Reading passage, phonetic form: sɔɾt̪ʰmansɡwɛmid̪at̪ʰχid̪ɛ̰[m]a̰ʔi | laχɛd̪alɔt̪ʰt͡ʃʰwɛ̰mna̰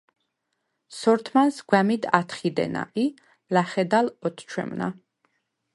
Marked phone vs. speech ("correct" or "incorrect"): incorrect